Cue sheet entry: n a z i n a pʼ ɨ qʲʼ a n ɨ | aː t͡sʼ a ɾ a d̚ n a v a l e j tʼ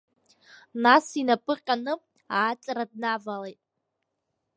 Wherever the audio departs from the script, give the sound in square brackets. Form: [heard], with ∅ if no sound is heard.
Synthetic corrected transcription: n a [s] i n a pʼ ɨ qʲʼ a n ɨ | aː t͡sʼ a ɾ a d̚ n a v a l e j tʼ